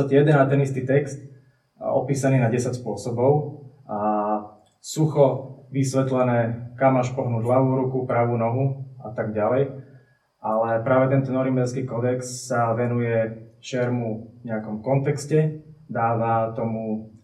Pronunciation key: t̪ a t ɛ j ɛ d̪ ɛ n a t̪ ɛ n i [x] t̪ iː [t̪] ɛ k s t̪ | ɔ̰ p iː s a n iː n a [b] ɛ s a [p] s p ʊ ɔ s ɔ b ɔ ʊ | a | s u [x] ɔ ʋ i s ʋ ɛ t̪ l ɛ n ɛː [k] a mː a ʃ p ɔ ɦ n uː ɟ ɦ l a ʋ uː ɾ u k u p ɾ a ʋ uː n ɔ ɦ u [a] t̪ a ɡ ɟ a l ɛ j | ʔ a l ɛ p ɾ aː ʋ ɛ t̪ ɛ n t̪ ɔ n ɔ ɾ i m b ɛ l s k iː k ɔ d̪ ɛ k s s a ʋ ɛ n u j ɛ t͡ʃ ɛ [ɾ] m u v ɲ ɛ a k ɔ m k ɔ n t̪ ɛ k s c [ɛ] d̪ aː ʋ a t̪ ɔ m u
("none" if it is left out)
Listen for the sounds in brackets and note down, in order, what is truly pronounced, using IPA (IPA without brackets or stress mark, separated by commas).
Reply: s, t̪, ɟ, c, x, k, a, ɾ, ɛ